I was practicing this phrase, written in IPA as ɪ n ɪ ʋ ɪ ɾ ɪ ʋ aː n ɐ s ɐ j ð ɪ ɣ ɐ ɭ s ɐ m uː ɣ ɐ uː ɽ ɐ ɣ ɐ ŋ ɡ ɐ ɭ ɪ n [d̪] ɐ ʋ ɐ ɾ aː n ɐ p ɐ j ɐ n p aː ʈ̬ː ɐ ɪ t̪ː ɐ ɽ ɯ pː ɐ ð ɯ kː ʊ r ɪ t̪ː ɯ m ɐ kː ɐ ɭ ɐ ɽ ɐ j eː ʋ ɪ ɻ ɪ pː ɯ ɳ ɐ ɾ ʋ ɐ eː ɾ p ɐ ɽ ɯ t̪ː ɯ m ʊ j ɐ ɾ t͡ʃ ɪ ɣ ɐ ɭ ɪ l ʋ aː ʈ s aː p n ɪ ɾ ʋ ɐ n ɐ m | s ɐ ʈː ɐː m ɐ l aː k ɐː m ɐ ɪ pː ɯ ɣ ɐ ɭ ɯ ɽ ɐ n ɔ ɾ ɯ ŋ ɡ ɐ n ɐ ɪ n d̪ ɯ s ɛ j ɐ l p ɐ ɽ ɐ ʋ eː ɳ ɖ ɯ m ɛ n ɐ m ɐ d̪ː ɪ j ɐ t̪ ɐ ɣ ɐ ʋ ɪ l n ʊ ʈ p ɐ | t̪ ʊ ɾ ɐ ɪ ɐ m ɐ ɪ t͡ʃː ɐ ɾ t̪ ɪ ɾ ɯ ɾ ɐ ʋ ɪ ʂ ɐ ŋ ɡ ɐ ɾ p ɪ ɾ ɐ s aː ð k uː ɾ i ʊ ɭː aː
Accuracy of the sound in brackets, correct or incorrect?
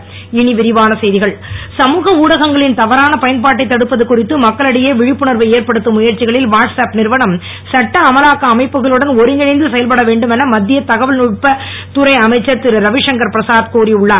incorrect